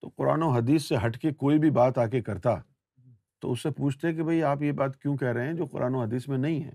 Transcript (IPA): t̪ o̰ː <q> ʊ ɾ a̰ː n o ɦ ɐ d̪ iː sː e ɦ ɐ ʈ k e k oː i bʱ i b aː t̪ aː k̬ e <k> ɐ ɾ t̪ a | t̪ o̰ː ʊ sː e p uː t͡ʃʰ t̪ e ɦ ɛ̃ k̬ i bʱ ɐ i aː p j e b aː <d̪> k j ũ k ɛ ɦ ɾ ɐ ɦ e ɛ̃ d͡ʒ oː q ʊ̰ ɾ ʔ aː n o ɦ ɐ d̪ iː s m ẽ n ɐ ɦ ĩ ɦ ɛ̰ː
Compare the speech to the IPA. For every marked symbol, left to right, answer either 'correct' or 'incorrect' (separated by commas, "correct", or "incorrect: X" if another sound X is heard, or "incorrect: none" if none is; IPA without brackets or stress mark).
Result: correct, correct, incorrect: t̪